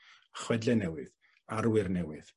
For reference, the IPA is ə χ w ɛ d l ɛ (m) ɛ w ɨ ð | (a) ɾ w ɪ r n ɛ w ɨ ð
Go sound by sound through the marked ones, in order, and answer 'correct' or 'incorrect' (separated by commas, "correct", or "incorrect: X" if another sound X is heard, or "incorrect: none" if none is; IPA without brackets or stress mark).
incorrect: n, correct